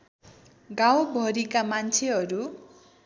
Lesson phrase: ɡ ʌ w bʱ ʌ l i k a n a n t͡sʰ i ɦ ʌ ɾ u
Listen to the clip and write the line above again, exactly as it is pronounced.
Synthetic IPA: ɡ a w bʱ ʌ ɾ i k a m a n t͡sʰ e ɦ ʌ ɾ u